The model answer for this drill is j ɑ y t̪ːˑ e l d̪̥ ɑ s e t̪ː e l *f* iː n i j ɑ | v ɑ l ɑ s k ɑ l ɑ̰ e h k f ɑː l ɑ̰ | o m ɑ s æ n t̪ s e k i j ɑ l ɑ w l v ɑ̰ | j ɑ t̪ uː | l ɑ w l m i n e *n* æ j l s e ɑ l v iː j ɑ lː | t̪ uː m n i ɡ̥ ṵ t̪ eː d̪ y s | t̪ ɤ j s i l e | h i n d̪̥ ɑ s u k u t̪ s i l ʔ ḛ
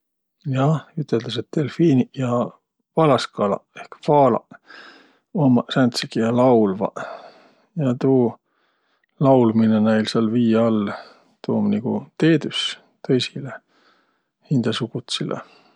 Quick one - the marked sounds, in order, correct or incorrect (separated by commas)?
correct, correct